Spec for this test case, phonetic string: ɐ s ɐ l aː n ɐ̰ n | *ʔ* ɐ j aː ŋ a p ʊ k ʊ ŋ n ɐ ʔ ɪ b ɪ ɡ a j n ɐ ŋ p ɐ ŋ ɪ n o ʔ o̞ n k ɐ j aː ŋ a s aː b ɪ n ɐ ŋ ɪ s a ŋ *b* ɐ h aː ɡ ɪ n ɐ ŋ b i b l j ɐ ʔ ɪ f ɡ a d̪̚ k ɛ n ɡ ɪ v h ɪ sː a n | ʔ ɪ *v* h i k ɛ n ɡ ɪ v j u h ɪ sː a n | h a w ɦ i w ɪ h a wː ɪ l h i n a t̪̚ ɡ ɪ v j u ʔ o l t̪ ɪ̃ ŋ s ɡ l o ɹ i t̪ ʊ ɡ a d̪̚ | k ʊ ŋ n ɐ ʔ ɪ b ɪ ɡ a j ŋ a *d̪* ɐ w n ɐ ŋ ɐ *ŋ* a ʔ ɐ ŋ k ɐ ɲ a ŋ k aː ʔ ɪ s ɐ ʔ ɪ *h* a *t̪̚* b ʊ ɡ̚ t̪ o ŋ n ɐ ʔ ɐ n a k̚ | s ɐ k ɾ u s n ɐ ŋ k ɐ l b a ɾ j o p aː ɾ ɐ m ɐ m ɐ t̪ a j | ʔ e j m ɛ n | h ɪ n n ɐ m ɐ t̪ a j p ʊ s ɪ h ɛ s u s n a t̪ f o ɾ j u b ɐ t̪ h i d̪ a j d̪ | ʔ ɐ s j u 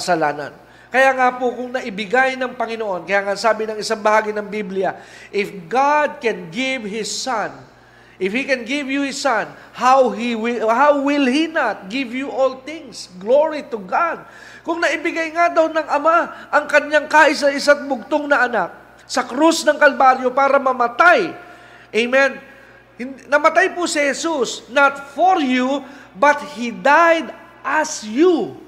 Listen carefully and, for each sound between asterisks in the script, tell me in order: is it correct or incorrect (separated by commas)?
incorrect, correct, incorrect, correct, incorrect, incorrect, correct